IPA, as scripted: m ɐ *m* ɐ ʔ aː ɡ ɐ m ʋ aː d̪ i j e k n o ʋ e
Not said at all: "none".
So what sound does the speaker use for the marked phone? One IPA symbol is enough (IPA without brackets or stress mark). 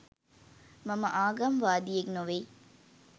m